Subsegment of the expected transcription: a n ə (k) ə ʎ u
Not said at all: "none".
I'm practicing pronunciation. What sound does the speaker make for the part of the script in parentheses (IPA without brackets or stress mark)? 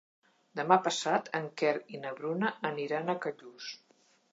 k